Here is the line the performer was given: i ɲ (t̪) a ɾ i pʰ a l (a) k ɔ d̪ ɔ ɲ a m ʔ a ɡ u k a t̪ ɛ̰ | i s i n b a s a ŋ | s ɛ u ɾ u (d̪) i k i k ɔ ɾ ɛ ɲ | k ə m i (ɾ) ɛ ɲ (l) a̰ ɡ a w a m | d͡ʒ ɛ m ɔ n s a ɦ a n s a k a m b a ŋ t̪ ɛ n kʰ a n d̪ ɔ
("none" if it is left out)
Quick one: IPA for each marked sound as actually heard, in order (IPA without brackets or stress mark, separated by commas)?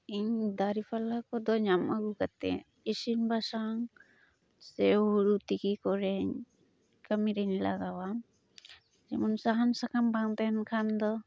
d̪, a, t̪, ɾ, l